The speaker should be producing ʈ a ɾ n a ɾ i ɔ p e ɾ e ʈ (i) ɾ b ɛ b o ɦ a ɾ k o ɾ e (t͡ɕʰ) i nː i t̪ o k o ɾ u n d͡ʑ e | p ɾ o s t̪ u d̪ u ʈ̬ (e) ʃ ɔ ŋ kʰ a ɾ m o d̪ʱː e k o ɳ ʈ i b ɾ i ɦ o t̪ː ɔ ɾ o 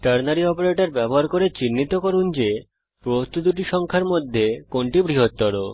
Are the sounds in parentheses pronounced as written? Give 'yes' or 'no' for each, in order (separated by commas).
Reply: no, no, no